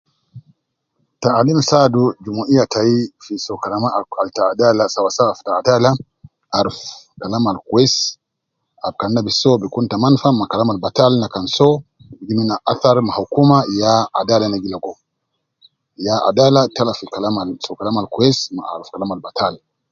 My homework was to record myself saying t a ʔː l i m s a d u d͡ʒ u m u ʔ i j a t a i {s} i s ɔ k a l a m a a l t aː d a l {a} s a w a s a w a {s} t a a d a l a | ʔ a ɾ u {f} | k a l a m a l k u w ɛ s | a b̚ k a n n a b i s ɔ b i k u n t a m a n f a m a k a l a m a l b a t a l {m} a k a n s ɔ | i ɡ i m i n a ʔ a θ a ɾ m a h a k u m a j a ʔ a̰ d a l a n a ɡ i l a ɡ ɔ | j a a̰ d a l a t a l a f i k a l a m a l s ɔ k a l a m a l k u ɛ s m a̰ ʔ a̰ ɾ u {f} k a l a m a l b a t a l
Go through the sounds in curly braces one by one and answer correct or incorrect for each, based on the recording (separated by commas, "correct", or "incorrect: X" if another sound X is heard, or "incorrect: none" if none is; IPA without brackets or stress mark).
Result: incorrect: f, correct, incorrect: f, correct, incorrect: n, correct